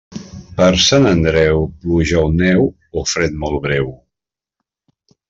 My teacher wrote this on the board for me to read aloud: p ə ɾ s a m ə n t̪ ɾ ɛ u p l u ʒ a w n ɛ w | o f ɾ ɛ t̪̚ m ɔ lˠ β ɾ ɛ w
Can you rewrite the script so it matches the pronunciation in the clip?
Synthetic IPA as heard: p ə ɾ s a n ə n d̪ ɾ ɛ w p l u ʒ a w n ɛ w | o f ɾ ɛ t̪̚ m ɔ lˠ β ɾ ɛ w